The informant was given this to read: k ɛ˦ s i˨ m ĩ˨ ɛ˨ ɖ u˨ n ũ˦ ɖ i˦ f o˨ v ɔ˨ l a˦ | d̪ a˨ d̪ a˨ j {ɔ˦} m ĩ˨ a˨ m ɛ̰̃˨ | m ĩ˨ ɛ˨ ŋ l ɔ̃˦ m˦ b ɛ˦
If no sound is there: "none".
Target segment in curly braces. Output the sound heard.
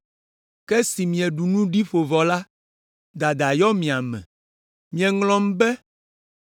ɔ˦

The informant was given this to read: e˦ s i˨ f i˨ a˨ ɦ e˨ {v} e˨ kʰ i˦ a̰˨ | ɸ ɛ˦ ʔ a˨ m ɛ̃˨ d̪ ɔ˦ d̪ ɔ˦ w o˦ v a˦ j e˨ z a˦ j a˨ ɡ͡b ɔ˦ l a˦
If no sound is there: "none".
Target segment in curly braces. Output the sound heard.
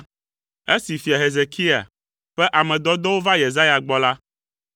z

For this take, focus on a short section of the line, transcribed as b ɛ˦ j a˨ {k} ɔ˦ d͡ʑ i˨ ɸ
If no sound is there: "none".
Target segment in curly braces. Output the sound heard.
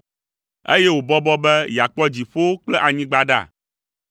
k͡p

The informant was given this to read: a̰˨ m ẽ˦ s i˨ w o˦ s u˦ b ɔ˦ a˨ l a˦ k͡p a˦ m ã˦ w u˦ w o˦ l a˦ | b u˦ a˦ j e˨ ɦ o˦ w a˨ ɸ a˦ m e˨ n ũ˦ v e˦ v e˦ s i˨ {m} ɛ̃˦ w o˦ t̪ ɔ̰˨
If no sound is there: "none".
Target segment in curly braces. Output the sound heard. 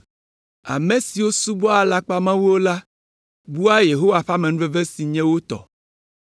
ɲ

